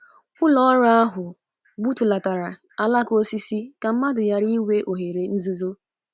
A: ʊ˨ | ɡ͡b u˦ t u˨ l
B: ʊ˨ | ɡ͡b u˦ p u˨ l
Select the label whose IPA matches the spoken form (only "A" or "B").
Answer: A